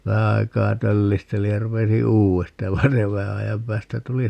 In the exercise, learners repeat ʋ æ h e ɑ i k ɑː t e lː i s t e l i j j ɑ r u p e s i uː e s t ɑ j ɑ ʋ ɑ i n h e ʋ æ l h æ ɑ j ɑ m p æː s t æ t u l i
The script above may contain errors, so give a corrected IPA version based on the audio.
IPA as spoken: ʋ æ h æ ɑ i k ɑː t ø lː i s t e l i j j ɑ r u p e s i uː e s t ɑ j ɑ ʋ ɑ i n s e ʋ æ h æ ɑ j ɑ m p æː s t æ t u l i